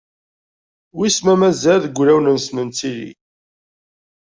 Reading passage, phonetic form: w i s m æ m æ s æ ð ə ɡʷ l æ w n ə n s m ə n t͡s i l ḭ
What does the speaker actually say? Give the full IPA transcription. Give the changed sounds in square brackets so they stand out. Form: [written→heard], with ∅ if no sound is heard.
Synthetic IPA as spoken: w i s m æ m æ [s→z] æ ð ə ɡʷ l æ w n ə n s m ə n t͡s i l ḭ